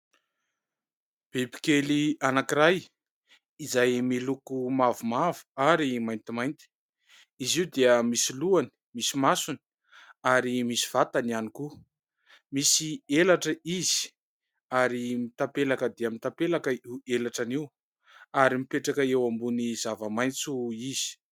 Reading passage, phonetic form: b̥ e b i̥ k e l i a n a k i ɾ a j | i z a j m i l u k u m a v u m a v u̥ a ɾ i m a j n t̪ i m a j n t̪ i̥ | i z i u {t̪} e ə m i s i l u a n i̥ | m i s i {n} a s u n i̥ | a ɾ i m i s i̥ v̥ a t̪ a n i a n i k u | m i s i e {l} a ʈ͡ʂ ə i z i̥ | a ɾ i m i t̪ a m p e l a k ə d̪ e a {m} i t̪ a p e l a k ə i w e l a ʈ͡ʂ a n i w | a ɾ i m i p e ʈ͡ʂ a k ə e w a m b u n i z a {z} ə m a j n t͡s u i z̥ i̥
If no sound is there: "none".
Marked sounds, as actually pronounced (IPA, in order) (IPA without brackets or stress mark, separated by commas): d̪, m, l, m, v